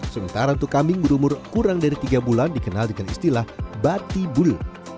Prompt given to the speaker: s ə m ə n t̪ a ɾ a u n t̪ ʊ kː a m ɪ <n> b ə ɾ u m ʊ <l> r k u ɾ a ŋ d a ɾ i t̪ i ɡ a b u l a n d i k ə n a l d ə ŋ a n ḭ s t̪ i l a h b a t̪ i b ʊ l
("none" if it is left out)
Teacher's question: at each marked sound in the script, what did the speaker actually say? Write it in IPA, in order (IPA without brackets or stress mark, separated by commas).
ŋ, none